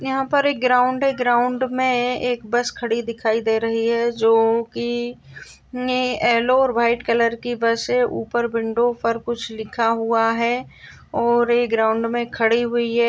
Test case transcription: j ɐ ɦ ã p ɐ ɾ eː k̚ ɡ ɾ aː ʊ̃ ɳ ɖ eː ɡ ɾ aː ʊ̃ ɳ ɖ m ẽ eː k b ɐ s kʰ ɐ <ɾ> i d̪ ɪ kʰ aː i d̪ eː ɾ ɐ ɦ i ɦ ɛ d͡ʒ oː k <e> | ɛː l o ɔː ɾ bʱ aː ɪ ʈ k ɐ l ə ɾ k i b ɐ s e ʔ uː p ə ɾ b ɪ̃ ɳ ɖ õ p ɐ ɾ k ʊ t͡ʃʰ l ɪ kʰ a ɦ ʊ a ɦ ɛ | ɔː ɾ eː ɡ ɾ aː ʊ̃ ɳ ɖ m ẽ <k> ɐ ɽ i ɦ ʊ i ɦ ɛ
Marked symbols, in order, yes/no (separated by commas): no, no, no